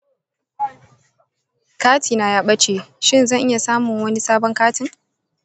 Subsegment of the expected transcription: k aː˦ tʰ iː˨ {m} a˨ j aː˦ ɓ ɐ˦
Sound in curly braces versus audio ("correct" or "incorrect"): incorrect